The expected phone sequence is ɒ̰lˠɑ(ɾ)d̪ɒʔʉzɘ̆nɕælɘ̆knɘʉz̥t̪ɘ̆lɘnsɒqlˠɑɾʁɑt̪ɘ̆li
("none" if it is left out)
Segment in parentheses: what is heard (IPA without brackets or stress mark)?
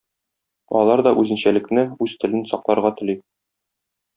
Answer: ɾ